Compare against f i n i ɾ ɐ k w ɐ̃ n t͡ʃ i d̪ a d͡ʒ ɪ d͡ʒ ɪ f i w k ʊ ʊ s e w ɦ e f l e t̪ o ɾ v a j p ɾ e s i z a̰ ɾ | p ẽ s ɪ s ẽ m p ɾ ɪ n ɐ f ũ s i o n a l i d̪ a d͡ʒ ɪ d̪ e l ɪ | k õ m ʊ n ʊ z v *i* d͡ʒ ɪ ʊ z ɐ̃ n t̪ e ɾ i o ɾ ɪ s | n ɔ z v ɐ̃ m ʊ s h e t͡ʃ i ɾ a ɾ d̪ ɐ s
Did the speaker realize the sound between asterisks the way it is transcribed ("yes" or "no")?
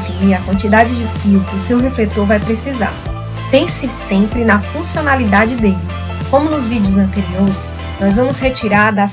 yes